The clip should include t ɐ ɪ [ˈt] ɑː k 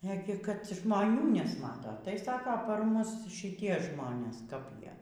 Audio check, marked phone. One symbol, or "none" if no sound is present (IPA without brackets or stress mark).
s